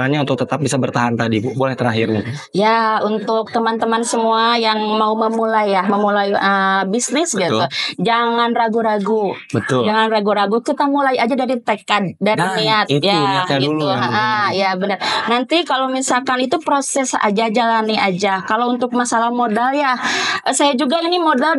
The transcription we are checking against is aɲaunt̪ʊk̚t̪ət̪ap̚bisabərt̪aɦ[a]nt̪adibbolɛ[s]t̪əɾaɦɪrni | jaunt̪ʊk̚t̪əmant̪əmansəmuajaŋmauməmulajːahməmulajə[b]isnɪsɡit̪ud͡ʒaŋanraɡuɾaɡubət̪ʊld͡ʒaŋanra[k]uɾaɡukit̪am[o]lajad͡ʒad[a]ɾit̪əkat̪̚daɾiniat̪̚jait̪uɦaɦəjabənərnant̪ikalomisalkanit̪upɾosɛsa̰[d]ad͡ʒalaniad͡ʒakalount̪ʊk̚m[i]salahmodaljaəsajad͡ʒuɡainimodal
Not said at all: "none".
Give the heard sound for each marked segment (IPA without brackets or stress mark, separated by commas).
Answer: a, h, b, ɡ, u, a, d͡ʒ, a